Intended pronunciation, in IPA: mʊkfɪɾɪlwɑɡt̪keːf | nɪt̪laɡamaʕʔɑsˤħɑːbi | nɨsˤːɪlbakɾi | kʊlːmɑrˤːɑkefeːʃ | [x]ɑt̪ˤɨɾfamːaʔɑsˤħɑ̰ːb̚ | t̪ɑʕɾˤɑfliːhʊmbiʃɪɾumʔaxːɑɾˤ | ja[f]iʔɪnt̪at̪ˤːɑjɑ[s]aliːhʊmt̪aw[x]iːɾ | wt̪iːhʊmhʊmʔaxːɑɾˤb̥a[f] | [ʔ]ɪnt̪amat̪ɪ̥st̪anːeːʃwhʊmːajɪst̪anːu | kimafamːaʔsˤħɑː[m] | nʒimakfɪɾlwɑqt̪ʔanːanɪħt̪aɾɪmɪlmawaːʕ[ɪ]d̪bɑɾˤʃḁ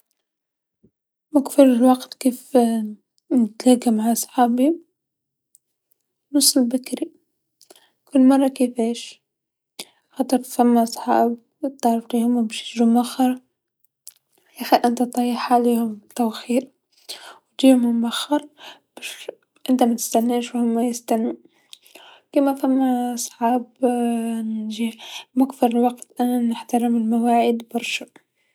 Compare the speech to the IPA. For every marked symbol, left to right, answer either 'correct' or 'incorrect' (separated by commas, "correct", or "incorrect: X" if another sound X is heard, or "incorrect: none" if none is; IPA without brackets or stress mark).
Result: correct, incorrect: x, incorrect: ħ, correct, incorrect: ʃ, correct, incorrect: b, correct